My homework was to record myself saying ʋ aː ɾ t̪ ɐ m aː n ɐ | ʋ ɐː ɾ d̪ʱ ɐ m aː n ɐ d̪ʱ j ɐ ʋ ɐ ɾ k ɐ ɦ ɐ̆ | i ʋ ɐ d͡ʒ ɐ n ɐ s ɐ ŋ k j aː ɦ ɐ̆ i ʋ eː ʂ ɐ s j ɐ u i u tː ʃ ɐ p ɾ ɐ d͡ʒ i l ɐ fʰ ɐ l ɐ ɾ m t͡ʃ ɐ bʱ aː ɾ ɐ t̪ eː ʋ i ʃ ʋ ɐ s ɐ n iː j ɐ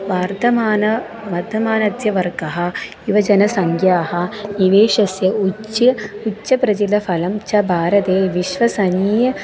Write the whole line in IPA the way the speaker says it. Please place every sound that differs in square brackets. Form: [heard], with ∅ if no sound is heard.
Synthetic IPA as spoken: ʋ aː ɾ t̪ ɐ m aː n ɐ | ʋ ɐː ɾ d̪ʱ ɐ m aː n ɐ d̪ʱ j ɐ ʋ ɐ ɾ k ɐ ɦ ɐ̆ | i ʋ ɐ d͡ʒ ɐ n ɐ s ɐ ŋ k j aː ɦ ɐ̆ i ʋ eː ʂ ɐ s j ɐ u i u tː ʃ ɐ p ɾ ɐ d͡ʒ i l ɐ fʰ ɐ l ɐ [∅] m t͡ʃ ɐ bʱ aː ɾ ɐ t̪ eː ʋ i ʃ ʋ ɐ s ɐ n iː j ɐ